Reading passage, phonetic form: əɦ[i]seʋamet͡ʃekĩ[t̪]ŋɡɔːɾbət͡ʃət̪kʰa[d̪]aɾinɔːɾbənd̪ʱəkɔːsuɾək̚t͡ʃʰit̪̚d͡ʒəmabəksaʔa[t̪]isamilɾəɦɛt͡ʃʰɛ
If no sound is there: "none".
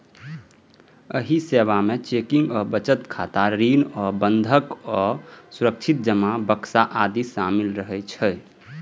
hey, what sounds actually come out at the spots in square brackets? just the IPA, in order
i, none, t̪, d̪

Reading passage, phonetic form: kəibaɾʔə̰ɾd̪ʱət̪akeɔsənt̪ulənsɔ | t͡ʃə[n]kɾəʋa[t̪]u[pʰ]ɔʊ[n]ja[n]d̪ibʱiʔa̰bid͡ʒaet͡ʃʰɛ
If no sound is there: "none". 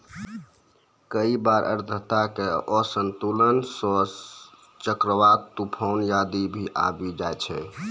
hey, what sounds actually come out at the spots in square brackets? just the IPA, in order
none, t̪, pʰ, n, none

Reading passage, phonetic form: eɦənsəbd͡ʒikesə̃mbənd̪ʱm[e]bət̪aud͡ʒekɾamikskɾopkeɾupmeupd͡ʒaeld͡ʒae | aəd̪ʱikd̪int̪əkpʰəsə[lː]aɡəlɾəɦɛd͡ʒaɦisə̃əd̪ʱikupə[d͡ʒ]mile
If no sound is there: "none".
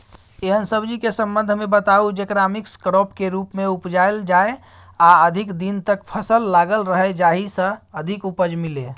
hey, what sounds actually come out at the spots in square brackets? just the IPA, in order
e, lː, d͡ʒ

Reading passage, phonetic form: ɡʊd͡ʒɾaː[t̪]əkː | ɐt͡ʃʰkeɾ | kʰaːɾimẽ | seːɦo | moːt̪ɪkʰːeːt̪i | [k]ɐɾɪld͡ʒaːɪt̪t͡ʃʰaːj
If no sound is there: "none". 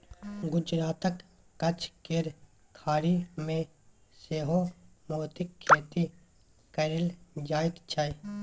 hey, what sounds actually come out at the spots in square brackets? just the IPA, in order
t̪, k

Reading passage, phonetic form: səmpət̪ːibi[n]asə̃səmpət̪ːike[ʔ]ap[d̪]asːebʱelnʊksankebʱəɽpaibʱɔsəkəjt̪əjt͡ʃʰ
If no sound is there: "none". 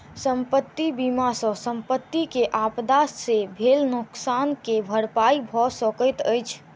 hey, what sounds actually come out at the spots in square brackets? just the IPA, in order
m, ʔ, d̪

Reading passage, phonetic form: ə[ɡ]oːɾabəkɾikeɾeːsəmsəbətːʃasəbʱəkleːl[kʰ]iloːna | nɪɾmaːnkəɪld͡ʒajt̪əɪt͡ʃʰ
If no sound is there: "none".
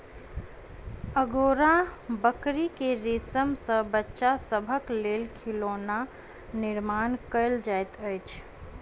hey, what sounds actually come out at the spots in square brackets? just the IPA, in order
ɡ, kʰ

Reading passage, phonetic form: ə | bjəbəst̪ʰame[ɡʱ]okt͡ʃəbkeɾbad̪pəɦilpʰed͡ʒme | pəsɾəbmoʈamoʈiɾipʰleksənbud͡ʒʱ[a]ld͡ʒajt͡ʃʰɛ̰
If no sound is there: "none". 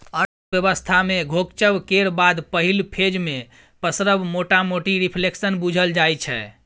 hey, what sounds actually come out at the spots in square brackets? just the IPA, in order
ɡʱ, ə

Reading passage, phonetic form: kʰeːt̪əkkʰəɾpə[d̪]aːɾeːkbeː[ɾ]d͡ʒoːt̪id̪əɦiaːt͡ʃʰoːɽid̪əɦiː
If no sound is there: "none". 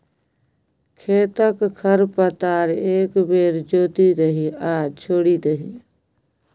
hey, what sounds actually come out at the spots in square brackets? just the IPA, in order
t̪, ɾ

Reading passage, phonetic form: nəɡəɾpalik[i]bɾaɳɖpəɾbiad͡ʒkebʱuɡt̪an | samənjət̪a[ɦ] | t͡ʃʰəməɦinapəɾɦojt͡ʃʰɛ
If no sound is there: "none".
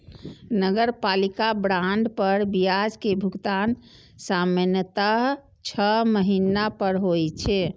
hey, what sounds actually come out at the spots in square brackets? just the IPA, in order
a, ɦ

